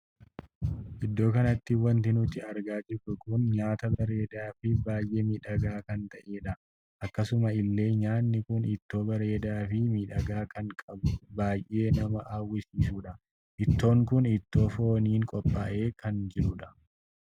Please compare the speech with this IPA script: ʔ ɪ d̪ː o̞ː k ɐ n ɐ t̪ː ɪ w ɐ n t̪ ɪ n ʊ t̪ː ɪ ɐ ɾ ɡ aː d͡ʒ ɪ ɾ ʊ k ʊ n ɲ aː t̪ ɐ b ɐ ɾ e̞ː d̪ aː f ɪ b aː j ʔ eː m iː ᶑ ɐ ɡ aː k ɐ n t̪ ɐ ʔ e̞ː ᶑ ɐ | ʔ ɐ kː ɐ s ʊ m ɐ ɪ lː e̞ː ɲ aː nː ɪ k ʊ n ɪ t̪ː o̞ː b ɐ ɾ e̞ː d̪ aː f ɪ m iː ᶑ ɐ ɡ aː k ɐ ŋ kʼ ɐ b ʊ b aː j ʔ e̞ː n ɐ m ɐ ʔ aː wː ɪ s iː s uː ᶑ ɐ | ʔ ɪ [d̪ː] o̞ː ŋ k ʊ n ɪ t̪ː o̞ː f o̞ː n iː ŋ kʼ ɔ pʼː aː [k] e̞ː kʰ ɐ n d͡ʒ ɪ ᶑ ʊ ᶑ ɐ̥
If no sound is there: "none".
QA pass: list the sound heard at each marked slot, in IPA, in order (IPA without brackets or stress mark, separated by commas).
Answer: t̪ː, ʔ